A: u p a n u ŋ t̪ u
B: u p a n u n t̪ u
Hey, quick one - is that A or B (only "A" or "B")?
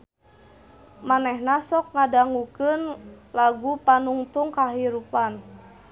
A